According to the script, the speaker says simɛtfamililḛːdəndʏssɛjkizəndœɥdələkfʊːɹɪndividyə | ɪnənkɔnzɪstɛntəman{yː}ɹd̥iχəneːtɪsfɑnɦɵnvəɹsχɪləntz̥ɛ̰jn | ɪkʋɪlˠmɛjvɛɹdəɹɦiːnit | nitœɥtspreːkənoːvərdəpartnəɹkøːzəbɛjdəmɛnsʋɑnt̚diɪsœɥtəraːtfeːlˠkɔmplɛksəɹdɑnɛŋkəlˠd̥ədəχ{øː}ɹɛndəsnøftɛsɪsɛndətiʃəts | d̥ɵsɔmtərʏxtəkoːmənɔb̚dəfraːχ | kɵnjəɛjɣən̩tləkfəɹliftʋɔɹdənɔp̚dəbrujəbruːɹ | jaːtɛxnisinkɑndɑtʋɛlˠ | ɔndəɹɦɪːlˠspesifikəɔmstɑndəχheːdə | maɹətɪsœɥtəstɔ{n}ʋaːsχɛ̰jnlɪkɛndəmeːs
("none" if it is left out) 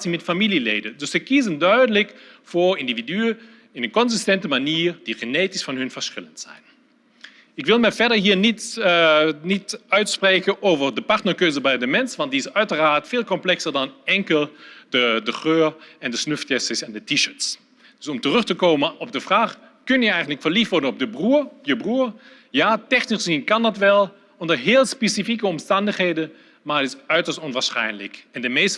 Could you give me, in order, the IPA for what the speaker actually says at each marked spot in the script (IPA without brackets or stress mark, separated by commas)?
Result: iː, øː, n